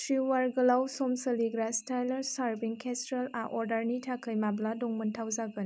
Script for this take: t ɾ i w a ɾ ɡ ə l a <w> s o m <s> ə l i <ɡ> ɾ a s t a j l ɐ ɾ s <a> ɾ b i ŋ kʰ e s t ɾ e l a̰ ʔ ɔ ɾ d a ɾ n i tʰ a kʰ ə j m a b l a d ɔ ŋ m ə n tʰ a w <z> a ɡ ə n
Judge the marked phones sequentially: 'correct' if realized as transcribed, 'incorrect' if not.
correct, correct, correct, correct, correct

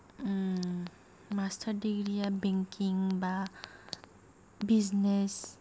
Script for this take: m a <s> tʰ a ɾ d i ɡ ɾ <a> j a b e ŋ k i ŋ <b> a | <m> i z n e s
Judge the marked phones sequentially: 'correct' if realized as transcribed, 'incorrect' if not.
correct, incorrect: i, correct, incorrect: b

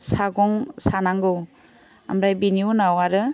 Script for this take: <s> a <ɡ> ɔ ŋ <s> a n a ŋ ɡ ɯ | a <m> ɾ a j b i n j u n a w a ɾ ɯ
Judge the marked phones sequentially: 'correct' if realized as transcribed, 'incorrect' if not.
correct, correct, correct, correct

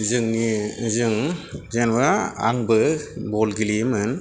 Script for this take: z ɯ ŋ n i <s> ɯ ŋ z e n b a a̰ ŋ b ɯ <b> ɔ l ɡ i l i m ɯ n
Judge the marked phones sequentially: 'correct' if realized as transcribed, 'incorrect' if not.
incorrect: z, correct

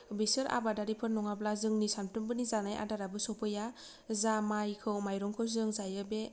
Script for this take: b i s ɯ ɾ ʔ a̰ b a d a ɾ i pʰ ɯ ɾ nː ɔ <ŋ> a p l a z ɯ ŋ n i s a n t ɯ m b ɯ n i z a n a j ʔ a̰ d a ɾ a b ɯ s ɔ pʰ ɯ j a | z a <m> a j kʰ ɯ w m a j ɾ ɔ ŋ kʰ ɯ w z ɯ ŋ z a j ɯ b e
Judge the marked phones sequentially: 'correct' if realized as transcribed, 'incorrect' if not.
correct, correct

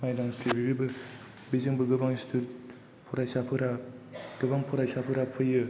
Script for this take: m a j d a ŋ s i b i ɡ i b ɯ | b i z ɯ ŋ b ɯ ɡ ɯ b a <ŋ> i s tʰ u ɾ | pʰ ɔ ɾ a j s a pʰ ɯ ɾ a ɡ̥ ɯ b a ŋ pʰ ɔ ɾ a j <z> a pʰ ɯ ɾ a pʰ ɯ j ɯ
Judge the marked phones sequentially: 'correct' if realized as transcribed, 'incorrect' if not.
correct, incorrect: s

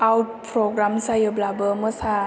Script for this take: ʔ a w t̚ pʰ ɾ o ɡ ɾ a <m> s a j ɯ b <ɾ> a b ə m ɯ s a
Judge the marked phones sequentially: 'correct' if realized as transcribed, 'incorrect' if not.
correct, incorrect: l

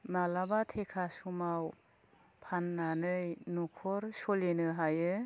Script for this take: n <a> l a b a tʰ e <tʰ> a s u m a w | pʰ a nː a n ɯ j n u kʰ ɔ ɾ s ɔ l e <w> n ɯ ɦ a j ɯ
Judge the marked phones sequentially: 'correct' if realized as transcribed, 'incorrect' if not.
correct, incorrect: kʰ, incorrect: none

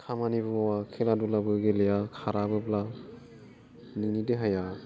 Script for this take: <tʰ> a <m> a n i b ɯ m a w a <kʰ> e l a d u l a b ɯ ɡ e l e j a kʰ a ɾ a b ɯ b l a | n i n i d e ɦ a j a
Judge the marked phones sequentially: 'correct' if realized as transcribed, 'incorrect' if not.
incorrect: kʰ, correct, correct

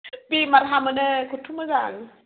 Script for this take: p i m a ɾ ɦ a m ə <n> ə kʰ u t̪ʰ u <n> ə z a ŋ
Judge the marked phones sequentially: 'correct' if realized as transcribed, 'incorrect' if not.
correct, incorrect: m

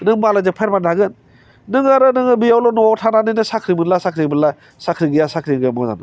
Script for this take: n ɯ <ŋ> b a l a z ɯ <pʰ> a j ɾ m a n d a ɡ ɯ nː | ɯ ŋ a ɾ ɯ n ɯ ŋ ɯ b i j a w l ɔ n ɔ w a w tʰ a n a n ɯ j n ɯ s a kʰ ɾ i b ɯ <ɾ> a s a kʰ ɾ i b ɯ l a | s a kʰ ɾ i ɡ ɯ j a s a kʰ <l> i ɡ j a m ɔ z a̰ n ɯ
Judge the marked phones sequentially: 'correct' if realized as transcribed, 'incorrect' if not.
correct, correct, incorrect: l, incorrect: ɾ

